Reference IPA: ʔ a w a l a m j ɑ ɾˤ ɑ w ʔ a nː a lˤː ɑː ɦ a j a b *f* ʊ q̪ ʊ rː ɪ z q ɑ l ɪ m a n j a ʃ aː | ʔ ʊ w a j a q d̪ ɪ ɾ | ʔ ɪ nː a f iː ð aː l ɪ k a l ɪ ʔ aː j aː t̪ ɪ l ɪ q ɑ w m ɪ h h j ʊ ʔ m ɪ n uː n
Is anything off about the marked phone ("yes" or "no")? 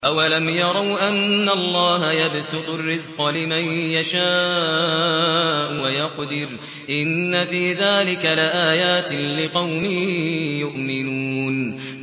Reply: yes